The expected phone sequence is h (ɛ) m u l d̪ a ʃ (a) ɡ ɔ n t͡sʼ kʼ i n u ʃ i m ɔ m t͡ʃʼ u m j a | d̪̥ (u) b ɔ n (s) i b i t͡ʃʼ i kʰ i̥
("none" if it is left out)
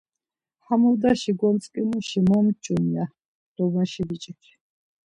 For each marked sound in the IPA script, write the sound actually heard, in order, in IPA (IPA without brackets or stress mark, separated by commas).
a, i, ɔ, ʃ